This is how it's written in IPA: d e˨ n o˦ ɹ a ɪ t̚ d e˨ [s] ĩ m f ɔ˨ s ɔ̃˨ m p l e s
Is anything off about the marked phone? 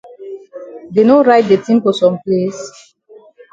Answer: yes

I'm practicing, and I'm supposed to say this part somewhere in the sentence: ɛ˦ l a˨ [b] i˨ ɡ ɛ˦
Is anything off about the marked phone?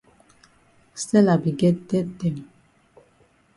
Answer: no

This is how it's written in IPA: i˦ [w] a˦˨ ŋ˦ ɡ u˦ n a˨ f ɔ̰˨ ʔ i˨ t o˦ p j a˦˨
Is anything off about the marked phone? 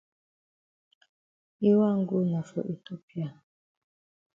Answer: no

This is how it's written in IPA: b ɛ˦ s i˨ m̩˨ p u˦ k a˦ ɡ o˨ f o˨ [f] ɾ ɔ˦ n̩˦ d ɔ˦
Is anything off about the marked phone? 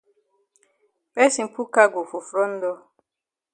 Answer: no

